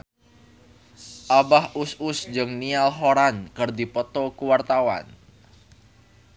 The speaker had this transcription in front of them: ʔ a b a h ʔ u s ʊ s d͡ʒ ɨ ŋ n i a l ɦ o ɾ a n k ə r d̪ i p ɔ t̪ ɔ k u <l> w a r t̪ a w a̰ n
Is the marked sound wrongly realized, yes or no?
yes